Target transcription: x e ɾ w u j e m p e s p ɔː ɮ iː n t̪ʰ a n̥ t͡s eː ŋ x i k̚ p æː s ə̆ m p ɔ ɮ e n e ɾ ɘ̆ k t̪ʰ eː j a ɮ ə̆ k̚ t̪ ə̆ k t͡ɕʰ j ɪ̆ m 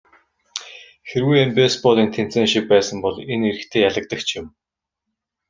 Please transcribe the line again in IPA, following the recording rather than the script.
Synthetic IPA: x e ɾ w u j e m p e s p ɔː ɮ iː n t̪ʰ e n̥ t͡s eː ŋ ʃ i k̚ p æː s ə̆ m p ɔ ɮ e n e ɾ ɘ̆ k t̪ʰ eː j a ɮ ə̆ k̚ t̪ ə̆ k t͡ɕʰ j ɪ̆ m